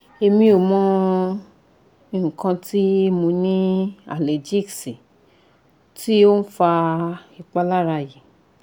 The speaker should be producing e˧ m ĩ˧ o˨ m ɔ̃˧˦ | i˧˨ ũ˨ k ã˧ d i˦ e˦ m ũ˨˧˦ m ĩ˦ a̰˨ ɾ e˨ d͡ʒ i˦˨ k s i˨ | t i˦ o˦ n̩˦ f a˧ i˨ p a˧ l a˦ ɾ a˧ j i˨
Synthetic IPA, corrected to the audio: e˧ m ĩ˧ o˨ m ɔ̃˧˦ | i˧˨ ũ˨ k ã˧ t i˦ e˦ m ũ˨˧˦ n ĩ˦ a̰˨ l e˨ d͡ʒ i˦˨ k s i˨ | t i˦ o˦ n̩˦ f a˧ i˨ k͡p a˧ l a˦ ɾ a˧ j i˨

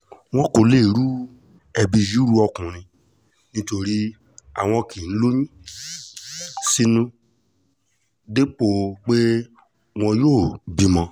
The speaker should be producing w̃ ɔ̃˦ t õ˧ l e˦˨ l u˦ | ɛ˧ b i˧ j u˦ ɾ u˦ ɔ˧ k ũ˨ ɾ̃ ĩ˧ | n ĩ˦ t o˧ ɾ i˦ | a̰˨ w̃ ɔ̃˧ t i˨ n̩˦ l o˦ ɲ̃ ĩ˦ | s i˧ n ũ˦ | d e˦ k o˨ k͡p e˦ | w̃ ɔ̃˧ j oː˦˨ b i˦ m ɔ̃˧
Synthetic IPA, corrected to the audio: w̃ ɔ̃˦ k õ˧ l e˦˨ ɾ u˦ | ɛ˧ b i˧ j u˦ ɾ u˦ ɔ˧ k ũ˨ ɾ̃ ĩ˧ | n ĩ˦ t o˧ ɾ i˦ | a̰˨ w̃ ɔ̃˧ k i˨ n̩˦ l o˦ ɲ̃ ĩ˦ | s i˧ n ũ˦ | d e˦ k͡p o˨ k͡p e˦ | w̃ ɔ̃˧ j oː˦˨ b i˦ m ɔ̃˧

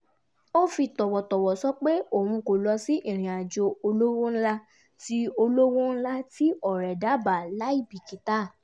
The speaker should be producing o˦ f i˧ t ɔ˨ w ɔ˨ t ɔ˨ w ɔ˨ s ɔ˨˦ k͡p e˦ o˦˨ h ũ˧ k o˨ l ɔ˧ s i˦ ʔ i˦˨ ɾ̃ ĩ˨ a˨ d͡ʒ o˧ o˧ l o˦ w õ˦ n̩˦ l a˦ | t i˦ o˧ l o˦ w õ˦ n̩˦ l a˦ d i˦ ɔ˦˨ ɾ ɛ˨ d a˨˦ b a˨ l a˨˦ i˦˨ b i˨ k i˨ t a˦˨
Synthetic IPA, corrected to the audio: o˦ f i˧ t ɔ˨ w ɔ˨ t ɔ˨ w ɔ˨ s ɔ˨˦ k͡p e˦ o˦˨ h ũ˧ k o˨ l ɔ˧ s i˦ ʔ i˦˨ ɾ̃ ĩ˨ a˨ d͡ʒ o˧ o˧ l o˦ w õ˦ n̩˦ l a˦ | t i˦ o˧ l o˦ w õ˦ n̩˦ l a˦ t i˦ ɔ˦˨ ɾ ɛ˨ d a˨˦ b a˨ l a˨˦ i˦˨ b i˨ k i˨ t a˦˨

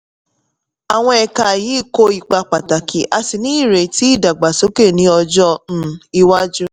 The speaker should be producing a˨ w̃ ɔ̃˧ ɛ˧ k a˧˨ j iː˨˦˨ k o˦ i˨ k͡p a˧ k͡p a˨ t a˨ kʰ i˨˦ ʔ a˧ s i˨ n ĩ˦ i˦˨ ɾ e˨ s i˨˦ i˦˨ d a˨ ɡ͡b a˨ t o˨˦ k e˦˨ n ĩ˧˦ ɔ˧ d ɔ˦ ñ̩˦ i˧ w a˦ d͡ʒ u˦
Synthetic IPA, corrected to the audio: a˨ w̃ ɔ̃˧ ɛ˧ k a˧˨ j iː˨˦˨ k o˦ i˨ k͡p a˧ k͡p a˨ t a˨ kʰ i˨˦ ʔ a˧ s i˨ n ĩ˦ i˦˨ ɾ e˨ t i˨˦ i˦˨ d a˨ ɡ͡b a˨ s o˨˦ k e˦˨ n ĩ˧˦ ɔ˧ d͡ʒ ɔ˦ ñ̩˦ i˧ w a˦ d͡ʒ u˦

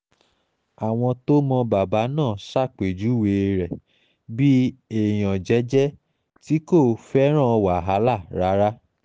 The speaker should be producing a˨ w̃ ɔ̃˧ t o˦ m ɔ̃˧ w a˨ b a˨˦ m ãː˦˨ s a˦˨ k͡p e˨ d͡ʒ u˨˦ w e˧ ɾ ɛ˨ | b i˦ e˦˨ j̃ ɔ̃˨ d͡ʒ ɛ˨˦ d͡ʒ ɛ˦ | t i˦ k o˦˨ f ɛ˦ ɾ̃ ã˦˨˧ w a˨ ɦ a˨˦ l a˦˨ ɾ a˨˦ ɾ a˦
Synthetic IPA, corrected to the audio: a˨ w̃ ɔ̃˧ t o˦ m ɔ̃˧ b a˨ b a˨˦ n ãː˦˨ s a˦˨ k͡p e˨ d͡ʒ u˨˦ w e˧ ɾ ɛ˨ | b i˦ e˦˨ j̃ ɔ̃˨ d͡ʒ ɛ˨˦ d͡ʒ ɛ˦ | t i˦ k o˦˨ f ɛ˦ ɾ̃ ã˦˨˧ w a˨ ɦ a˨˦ l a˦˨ ɾ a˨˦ ɾ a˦

